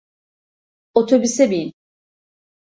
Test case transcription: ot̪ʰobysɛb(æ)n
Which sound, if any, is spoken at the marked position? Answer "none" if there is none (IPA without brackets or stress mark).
i